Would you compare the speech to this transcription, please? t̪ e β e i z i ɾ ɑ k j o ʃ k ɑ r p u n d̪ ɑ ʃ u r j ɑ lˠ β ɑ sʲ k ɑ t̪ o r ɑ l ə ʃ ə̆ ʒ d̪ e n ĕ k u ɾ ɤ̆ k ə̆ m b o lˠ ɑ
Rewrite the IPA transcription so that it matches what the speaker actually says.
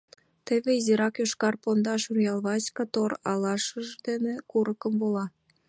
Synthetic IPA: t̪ e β e i z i ɾ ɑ k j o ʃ k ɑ r p o n d̪ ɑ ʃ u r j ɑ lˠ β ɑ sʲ k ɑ t̪ o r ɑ l ɑ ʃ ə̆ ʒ d̪ e n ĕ k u ɾ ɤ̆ k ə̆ m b o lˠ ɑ